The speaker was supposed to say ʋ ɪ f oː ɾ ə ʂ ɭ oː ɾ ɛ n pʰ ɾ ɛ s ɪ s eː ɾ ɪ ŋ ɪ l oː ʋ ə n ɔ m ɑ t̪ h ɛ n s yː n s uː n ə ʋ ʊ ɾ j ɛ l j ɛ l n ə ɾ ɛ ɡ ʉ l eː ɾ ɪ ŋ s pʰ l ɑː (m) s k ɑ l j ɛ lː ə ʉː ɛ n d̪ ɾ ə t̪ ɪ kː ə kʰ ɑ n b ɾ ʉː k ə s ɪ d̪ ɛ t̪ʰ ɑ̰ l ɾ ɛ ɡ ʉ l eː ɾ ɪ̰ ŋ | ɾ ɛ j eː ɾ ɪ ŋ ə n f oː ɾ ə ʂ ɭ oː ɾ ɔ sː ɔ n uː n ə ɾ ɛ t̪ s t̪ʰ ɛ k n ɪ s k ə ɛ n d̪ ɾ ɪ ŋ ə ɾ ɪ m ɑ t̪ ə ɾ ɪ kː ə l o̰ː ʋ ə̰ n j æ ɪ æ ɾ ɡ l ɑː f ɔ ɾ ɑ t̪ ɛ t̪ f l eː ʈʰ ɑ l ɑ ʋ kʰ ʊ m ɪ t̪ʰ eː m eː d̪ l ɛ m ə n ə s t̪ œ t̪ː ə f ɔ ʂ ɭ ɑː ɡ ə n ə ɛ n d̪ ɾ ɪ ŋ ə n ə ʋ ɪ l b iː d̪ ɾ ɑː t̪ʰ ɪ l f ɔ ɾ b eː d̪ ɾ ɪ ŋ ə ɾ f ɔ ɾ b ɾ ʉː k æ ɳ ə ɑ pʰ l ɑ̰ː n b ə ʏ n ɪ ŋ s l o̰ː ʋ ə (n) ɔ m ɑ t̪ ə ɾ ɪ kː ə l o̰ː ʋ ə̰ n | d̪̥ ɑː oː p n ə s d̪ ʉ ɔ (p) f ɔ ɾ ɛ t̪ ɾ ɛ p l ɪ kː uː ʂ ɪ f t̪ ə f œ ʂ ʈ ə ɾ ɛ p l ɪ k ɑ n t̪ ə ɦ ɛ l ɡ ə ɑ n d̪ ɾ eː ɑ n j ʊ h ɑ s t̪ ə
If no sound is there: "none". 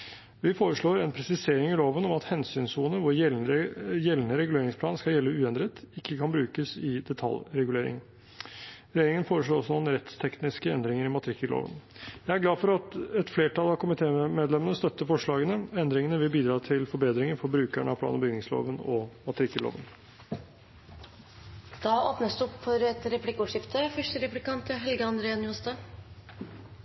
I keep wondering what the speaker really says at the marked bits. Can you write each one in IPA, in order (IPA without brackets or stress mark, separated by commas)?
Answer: n, n, p